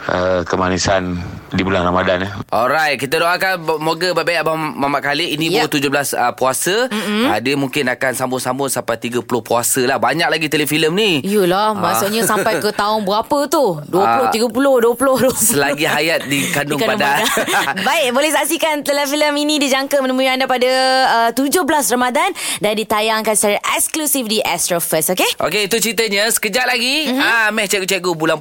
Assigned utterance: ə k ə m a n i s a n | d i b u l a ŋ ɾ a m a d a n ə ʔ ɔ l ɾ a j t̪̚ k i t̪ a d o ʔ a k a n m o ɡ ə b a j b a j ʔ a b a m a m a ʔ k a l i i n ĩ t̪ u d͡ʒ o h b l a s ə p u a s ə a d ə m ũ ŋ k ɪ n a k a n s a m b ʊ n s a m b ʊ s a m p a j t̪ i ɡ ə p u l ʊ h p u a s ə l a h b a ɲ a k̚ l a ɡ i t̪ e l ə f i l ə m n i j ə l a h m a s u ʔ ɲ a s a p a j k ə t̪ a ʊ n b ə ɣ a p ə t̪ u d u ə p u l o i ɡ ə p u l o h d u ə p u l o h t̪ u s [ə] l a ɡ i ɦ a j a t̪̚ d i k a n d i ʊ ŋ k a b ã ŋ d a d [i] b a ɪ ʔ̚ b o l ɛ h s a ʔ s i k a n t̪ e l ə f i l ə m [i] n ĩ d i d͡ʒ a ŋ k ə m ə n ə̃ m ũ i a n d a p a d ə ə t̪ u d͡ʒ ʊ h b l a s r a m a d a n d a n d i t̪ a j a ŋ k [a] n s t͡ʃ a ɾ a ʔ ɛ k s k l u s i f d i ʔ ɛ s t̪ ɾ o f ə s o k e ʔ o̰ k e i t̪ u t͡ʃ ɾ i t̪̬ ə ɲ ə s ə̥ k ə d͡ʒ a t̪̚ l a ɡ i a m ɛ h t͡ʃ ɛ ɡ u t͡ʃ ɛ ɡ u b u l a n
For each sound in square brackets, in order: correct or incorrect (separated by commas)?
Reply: correct, incorrect, correct, correct